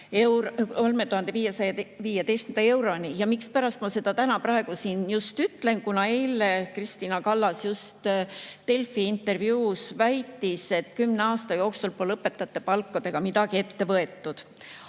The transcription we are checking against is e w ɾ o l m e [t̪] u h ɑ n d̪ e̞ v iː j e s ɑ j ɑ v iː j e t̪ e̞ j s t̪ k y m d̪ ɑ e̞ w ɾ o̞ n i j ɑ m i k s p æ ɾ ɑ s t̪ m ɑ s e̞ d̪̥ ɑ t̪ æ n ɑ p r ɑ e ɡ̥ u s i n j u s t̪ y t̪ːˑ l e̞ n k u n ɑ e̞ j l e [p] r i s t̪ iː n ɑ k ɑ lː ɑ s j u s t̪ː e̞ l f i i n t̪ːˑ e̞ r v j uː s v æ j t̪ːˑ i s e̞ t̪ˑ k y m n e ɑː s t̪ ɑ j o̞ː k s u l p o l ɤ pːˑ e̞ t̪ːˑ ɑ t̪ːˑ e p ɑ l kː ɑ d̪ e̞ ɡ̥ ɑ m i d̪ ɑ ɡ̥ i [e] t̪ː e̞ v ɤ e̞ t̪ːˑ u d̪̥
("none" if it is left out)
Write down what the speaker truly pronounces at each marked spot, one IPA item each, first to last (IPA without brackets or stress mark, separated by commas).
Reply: t̪, k, e